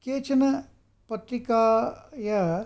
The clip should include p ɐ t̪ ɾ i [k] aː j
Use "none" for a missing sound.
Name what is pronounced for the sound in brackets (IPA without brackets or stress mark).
k